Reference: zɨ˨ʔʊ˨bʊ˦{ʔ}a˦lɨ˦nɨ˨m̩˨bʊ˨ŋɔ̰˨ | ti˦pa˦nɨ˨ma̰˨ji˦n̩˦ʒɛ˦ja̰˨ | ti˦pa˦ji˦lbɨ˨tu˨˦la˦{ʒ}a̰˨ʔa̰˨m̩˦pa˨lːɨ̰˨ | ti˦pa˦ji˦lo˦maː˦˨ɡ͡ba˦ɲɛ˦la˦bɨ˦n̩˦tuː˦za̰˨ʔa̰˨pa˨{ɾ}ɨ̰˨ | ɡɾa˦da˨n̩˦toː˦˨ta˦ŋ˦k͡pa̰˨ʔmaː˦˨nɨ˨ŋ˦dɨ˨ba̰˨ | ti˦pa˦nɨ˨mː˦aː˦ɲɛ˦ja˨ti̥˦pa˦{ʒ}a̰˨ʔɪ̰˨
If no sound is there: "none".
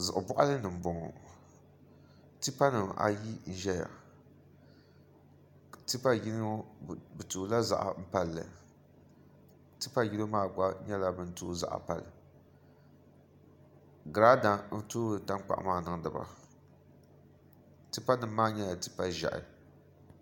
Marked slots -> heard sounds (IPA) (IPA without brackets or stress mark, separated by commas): ʔ, z, l, ʒ